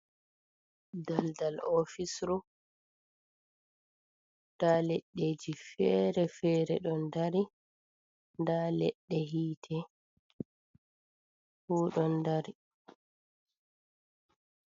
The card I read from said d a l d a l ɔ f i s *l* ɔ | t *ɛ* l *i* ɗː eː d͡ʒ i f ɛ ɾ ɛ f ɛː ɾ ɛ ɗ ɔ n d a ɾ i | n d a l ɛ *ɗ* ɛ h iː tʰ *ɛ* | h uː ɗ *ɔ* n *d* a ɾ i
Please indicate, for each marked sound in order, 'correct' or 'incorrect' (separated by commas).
incorrect, incorrect, incorrect, incorrect, correct, correct, correct